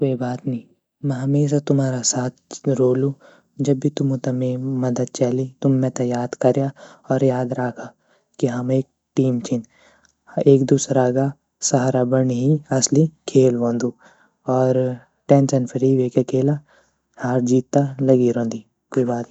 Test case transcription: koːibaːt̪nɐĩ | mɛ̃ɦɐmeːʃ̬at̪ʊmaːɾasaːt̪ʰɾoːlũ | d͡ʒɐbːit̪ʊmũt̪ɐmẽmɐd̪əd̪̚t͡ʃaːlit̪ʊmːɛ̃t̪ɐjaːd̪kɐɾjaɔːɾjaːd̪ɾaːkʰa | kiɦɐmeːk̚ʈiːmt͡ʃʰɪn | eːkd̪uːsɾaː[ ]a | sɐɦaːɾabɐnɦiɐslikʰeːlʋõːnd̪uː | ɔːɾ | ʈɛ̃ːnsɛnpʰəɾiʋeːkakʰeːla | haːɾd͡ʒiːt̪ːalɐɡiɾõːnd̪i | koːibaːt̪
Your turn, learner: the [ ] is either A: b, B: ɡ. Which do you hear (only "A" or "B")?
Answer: B